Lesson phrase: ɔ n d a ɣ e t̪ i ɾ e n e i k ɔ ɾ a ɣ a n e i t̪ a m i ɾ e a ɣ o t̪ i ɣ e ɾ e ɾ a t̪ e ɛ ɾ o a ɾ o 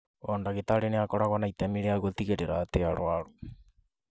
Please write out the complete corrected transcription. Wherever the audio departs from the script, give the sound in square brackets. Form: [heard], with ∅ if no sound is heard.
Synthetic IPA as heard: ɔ n d a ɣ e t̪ [a] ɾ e n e [a] k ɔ ɾ a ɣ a n [a] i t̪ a m i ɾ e a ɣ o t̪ i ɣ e ɾ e ɾ a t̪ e [a] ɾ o a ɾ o